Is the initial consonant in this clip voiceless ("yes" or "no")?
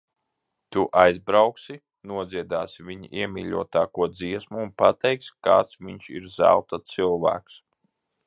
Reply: yes